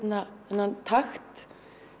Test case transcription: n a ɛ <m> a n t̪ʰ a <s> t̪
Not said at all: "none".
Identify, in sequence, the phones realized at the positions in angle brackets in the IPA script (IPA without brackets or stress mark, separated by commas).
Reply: n, x